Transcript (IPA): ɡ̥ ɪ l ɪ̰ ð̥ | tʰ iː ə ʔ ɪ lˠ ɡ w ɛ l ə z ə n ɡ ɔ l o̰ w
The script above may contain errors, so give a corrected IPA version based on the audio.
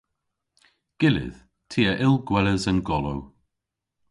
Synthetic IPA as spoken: ɡ̥ ɪ l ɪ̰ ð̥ | tʰ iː ə ʔ ɪ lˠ ɡ w ɛ l ə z ə n ɡ ɔ l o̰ w